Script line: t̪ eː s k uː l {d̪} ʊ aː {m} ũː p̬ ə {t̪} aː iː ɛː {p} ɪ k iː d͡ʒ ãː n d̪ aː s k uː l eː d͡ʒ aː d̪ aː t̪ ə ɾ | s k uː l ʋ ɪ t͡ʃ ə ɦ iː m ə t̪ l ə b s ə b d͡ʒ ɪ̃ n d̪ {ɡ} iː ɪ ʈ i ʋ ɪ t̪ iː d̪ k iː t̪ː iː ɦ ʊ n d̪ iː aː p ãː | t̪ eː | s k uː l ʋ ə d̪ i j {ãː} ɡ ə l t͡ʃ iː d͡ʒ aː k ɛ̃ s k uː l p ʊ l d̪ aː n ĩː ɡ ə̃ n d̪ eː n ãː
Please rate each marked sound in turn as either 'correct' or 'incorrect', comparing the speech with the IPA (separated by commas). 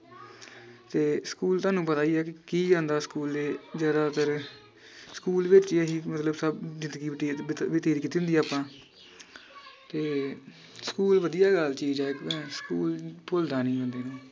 incorrect, incorrect, correct, incorrect, correct, incorrect